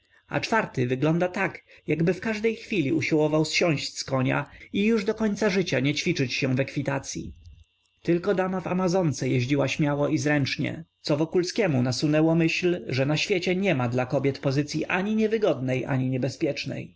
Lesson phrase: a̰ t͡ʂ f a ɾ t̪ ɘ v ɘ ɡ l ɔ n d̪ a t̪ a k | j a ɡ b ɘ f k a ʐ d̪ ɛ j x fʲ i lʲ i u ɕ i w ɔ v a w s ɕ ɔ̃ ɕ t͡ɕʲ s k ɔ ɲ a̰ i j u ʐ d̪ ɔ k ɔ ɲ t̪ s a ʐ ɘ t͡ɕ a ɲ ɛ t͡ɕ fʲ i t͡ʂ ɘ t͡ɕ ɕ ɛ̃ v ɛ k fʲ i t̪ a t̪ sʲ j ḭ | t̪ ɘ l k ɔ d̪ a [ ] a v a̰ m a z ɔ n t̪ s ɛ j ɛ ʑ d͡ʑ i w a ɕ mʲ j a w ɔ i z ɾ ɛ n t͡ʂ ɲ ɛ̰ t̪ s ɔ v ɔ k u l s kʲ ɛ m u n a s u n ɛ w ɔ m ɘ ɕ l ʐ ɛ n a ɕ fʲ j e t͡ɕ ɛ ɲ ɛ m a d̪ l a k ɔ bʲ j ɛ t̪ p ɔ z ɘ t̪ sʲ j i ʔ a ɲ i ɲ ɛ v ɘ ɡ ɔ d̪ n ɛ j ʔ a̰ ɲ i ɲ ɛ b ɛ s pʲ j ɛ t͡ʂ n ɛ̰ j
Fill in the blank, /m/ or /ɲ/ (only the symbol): m